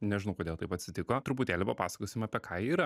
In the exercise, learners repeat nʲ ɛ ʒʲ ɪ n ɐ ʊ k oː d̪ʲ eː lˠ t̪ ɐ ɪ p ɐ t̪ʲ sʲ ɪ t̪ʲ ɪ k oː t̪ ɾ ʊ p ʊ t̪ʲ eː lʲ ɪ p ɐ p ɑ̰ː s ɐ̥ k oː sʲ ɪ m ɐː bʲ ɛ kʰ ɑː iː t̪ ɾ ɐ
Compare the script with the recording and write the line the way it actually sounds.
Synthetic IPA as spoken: nʲ ɛ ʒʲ ɪ n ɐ ʊ k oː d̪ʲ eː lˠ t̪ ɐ ɪ p ɐ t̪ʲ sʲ ɪ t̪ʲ ɪ k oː t̪ ɾ ʊ p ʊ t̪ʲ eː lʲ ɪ p ɐ p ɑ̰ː s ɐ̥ k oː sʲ ɪ m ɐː pʲ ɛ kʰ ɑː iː ɾ ɐ